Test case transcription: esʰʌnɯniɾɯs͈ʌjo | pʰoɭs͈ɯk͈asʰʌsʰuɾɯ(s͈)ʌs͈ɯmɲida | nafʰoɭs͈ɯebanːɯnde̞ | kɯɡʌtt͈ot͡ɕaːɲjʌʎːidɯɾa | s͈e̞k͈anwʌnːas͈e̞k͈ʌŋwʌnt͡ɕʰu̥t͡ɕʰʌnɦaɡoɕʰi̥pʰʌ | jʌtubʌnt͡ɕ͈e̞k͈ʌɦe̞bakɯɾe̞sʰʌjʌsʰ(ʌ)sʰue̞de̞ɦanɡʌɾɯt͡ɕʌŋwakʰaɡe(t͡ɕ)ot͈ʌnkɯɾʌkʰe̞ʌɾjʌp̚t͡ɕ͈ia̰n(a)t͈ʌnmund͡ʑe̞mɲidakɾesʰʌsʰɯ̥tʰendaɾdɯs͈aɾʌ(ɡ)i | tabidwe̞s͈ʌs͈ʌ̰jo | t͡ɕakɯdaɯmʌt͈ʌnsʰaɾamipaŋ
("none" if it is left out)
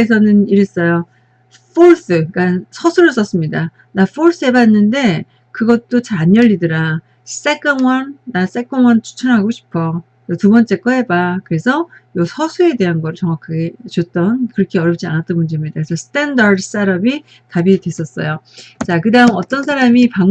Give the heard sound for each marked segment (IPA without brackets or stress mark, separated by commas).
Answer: s͈, ʌ, t͡ɕ, a, b